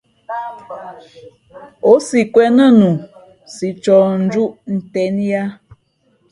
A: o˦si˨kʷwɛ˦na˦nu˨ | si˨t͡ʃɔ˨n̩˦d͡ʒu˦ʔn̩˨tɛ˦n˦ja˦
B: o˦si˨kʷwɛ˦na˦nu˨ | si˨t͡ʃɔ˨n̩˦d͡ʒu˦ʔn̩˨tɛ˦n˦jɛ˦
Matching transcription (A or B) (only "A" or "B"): A